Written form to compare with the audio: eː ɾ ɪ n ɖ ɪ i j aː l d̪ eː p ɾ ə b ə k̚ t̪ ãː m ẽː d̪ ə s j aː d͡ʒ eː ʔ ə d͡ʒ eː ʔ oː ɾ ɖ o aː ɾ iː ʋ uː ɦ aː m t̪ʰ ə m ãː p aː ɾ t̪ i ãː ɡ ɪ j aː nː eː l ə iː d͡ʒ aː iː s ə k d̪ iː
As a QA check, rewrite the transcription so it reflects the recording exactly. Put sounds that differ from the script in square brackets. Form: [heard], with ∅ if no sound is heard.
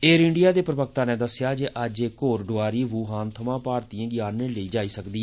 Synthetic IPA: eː ɾ ɪ [ɳ] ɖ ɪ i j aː [∅] d̪ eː p ɾ ə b ə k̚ t̪ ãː [n] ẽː d̪ ə s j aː d͡ʒ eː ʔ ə d͡ʒ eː [k] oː ɾ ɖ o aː ɾ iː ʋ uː ɦ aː [n] t̪ʰ ə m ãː p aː ɾ t̪ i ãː ɡ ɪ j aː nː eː l ə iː d͡ʒ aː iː s ə k d̪ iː

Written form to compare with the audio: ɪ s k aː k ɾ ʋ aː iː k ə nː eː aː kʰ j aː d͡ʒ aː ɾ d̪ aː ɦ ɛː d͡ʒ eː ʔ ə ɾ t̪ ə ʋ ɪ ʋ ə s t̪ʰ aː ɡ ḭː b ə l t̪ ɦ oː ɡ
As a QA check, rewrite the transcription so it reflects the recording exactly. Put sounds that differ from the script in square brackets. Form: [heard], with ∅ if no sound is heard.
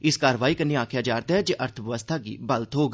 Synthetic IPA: ɪ s k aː [∅] ɾ ʋ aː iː k ə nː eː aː kʰ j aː d͡ʒ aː ɾ d̪ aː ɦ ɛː d͡ʒ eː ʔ ə ɾ [t̪ʰ] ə ʋ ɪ ʋ ə s t̪ʰ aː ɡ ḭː b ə l t̪ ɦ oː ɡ

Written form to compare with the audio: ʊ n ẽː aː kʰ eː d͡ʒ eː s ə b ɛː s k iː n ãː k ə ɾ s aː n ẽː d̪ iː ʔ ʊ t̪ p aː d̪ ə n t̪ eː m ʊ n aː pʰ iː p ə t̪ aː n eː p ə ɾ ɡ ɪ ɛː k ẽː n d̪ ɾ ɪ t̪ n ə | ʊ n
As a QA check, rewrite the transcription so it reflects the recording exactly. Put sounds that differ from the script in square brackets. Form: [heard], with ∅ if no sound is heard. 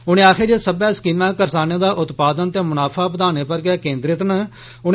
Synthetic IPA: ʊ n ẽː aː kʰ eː d͡ʒ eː s ə b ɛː s k iː [m] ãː k ə ɾ s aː n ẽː d̪ [aː] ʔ ʊ t̪ p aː d̪ ə n t̪ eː m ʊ n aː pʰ [aː] p ə [d̪] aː n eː p ə ɾ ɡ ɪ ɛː k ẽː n d̪ ɾ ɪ t̪ n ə | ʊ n

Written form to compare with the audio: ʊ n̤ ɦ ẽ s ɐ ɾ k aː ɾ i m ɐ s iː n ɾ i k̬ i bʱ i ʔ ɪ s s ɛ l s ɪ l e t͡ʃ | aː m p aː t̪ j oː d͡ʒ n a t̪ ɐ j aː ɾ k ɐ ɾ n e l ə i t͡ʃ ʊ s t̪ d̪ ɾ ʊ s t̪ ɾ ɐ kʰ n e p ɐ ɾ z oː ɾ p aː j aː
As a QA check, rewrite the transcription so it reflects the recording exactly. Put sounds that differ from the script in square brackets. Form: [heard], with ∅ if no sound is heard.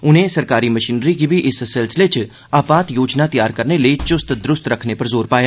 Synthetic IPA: ʊ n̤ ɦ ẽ s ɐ ɾ k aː ɾ i m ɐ [ʃ] iː n ɾ i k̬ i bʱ i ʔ ɪ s s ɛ l s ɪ l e t͡ʃ | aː [∅] p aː t̪ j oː d͡ʒ n a t̪ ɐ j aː ɾ k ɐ ɾ n e l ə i t͡ʃ ʊ s t̪ d̪ ɾ ʊ s t̪ ɾ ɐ kʰ n e p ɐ ɾ z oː ɾ p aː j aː

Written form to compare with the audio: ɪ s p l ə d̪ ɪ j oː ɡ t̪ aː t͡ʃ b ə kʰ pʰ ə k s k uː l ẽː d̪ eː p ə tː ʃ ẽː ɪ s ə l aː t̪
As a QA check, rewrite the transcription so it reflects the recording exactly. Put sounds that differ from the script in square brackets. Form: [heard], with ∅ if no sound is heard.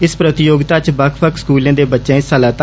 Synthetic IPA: ɪ s p [ɾ] ə [t̪] ɪ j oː ɡ t̪ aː t͡ʃ b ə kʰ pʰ ə k s k uː l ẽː d̪ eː [b] ə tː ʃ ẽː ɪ s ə l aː t̪

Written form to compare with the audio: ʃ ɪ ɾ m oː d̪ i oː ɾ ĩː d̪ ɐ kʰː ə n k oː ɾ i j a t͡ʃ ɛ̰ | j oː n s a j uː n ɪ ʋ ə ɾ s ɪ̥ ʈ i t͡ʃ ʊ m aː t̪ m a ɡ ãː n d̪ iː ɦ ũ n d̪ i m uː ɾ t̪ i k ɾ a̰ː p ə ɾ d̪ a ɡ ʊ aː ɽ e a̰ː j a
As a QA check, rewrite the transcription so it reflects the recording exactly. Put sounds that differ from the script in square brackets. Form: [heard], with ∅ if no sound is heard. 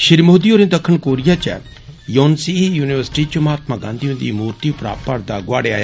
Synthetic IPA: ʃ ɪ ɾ m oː d̪ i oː ɾ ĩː d̪ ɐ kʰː ə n k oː ɾ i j a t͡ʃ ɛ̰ | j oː n s [i] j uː n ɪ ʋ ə ɾ s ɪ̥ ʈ i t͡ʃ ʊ m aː t̪ m a ɡ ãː n d̪ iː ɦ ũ n d̪ i m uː ɾ t̪ i [p] ɾ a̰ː p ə ɾ d̪ a ɡ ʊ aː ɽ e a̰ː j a

